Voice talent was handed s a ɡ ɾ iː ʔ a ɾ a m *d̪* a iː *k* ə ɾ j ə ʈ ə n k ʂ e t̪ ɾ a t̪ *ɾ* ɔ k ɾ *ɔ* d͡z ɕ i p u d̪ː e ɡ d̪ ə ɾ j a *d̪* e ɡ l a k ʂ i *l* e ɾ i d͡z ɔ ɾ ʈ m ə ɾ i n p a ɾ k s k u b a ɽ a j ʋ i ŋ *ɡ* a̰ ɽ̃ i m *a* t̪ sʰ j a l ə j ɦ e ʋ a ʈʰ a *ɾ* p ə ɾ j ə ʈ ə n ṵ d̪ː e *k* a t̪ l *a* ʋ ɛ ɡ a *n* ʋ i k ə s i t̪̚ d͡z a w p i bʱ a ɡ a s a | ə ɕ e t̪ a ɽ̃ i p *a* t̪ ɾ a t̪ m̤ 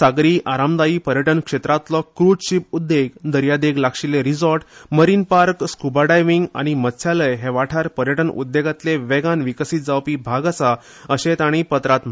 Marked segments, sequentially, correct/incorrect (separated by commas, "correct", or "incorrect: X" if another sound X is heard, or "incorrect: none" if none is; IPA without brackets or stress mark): correct, incorrect: p, incorrect: l, incorrect: u, correct, correct, correct, incorrect: ə, correct, incorrect: ɡ, incorrect: e, correct, incorrect: ə